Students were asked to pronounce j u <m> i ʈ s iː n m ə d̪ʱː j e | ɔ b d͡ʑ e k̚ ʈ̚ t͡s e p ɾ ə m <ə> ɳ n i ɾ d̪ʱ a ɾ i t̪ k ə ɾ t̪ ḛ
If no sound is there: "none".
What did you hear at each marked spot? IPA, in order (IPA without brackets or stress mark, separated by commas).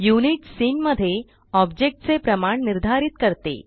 n, a